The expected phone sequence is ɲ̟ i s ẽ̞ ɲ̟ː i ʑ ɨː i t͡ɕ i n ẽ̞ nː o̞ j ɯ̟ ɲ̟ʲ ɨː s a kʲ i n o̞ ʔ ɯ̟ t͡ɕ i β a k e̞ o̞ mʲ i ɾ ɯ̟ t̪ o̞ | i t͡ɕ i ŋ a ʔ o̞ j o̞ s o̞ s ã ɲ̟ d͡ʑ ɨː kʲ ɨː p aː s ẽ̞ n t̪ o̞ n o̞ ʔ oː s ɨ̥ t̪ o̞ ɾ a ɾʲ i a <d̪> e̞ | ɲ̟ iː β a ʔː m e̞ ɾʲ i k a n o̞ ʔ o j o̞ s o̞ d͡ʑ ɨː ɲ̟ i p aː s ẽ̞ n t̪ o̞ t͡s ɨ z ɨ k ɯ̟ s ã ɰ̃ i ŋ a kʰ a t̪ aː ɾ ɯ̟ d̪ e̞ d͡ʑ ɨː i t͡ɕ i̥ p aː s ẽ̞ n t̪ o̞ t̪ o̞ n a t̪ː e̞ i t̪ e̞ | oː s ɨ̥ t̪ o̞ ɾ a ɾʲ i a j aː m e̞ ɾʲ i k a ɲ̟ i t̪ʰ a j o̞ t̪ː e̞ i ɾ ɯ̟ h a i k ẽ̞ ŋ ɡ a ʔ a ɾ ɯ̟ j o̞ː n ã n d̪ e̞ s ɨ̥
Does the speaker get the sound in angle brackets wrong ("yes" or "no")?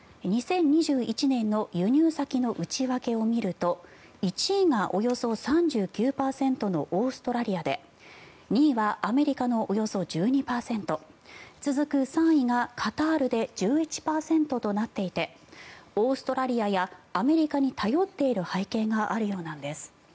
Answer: no